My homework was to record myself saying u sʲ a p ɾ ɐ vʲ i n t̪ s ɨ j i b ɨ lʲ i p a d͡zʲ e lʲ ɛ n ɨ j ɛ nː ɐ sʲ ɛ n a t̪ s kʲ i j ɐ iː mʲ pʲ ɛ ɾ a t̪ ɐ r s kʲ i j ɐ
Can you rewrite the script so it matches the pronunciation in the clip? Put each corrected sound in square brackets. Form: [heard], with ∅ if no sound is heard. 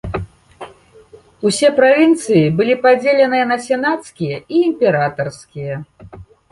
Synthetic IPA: u sʲ [ɛ] p ɾ [a] vʲ i n t̪ s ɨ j i b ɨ lʲ i p a d͡zʲ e lʲ ɛ n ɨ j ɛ [n] ɐ sʲ ɛ n a t̪ s kʲ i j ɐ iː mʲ pʲ ɛ ɾ a t̪ ɐ r s kʲ i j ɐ